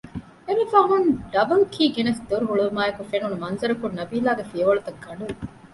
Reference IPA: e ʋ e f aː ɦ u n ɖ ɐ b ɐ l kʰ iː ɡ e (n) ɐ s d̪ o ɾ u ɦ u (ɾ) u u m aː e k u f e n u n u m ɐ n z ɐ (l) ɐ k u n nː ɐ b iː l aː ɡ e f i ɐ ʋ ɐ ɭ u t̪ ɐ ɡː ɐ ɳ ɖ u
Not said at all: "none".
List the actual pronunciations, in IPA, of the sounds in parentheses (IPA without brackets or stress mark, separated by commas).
n, ɭ, ɾ